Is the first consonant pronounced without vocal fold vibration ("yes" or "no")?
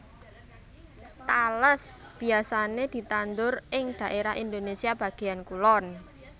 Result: yes